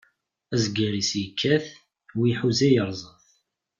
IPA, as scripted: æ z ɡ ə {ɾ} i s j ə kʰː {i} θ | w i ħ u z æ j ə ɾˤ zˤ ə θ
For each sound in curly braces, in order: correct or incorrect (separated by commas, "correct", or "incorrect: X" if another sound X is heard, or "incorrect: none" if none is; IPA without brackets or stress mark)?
correct, incorrect: æ